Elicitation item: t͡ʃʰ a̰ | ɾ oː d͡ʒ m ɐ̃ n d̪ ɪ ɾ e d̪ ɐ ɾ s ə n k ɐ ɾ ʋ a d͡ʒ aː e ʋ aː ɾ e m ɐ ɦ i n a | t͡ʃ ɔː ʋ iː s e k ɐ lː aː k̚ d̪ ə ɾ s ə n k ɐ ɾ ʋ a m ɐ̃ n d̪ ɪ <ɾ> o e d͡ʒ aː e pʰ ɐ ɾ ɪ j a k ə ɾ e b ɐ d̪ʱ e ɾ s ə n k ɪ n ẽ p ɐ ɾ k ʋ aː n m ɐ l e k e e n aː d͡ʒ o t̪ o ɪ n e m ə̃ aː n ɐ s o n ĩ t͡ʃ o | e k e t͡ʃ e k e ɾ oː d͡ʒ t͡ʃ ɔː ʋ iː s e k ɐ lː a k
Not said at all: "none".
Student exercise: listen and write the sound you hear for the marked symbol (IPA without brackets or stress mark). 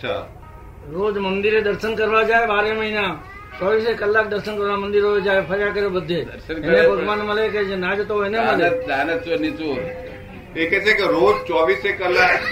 ɾ